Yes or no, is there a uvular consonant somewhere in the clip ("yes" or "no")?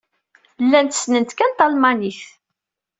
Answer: no